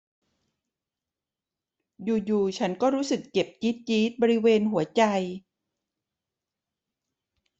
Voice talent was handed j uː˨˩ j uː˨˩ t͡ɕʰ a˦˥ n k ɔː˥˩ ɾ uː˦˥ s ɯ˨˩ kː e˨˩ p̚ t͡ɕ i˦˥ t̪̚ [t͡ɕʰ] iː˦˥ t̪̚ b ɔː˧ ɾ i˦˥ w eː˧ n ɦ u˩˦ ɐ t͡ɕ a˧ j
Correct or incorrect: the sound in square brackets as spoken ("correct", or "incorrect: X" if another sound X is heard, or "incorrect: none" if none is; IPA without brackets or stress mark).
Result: incorrect: t͡ɕ